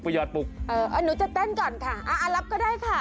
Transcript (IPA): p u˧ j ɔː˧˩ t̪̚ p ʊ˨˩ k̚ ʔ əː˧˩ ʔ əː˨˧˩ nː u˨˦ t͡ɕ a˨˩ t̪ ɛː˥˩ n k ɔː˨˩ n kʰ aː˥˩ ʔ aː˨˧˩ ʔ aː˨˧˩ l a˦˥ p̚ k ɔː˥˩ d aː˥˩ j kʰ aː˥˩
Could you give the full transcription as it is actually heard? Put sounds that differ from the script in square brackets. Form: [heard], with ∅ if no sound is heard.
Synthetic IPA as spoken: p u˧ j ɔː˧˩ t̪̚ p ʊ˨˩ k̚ ʔ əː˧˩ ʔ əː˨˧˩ [n] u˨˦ t͡ɕ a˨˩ t̪ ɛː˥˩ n k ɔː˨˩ n kʰ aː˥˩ ʔ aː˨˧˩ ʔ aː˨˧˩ l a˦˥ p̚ k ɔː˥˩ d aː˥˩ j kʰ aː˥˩